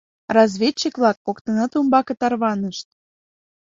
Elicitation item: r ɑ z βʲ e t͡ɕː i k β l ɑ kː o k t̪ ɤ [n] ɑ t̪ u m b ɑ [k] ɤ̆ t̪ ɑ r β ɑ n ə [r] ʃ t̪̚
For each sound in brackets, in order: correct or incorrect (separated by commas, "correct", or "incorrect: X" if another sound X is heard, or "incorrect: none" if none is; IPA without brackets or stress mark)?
correct, correct, incorrect: none